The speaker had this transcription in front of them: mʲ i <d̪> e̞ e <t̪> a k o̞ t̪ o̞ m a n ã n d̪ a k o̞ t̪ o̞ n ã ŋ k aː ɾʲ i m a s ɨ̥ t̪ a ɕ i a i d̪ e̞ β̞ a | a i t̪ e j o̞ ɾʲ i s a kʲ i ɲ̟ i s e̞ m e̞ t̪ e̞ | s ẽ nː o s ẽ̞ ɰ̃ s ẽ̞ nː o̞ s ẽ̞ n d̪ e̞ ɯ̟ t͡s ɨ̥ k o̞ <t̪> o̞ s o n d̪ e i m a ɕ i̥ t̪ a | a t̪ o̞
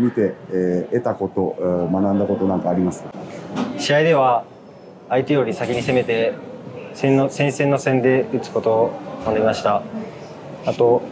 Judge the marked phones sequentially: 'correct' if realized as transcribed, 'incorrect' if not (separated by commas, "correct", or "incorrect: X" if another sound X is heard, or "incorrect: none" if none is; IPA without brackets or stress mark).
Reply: incorrect: t̪, correct, correct